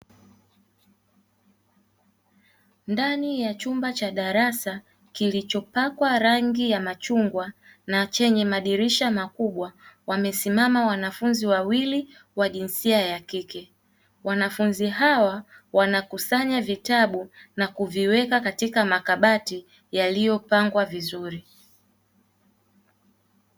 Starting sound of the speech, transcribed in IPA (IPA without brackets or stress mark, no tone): n